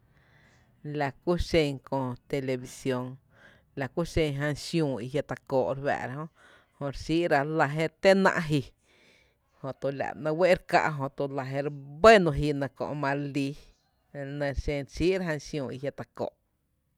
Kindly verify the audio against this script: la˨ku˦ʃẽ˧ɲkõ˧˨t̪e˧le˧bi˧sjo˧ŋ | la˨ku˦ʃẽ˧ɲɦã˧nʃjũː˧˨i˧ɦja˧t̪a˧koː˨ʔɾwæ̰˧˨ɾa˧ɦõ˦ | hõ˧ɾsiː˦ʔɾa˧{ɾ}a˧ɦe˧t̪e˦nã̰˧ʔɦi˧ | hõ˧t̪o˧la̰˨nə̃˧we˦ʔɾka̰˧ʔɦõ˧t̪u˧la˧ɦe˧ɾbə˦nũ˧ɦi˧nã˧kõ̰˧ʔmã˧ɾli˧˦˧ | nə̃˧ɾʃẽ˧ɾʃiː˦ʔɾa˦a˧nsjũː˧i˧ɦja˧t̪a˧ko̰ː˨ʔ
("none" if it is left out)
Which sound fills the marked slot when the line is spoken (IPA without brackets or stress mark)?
l